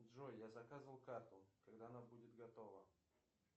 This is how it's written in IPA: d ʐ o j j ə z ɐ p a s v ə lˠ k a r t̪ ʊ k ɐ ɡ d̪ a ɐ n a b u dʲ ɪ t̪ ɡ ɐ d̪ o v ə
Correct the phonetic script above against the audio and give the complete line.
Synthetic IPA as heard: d ʐ o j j a z ɐ k a z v ə lˠ k a r t̪ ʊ k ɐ ɡ d̪ a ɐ n a b u dʲ ɪ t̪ ɡ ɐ t̪ o v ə